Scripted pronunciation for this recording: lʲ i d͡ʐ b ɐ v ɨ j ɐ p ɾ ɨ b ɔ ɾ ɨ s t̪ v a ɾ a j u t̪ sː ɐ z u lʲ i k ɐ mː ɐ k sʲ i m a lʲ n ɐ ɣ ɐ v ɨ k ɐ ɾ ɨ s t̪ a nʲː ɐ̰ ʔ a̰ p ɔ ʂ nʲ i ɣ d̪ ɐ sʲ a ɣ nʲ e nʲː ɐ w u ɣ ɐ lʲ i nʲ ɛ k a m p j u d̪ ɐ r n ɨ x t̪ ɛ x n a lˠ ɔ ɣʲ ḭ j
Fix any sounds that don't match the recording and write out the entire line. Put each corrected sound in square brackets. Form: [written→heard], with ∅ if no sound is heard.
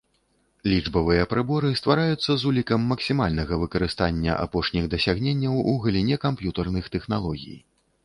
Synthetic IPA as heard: lʲ i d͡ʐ b ɐ v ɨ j ɐ p ɾ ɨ b ɔ ɾ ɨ s t̪ v a ɾ a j u t̪ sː ɐ z u lʲ i k ɐ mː ɐ k sʲ i m a lʲ n ɐ ɣ ɐ v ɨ k ɐ ɾ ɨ s t̪ a nʲː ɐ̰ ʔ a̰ p ɔ ʂ nʲ i ɣ d̪ ɐ sʲ a ɣ nʲ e nʲː ɐ w u ɣ ɐ lʲ i nʲ ɛ k a m p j u [d̪→t̪] ɐ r n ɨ x t̪ ɛ x n a lˠ ɔ ɣʲ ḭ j